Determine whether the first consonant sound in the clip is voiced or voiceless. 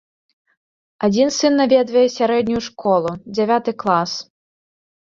voiced